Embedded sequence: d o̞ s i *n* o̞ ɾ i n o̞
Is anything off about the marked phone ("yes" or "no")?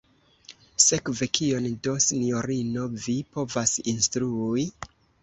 no